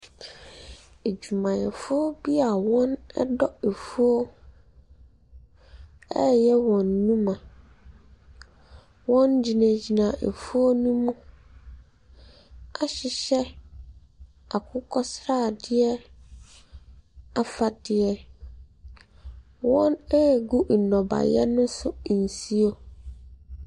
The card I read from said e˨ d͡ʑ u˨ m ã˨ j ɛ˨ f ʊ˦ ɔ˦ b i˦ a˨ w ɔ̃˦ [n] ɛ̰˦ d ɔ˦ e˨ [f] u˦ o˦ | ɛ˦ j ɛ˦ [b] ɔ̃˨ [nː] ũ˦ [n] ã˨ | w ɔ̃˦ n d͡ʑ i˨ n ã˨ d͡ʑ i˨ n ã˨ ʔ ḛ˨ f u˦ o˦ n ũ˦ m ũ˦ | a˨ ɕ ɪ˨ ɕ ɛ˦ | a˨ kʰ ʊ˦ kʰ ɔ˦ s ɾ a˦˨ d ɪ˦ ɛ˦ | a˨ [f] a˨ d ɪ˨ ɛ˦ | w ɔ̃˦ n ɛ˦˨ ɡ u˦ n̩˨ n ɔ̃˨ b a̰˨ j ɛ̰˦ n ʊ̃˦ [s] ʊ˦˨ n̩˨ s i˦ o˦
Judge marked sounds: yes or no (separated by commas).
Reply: yes, yes, no, yes, no, yes, yes